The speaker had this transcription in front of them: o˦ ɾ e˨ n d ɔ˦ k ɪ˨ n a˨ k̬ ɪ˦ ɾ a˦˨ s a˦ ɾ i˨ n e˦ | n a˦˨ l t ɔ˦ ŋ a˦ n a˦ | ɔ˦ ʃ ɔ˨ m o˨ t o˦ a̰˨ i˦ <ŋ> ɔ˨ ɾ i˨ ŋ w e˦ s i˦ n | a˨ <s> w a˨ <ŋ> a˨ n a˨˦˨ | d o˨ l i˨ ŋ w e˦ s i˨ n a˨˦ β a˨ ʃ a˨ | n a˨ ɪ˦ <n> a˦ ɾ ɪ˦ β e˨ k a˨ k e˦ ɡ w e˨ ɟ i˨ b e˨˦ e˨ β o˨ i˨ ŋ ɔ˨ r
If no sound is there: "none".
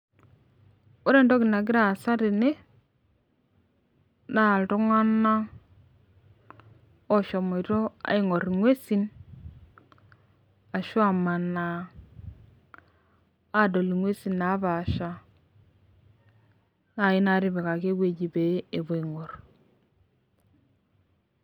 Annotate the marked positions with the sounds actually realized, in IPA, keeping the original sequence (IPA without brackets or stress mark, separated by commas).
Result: ŋ, ʃ, m, n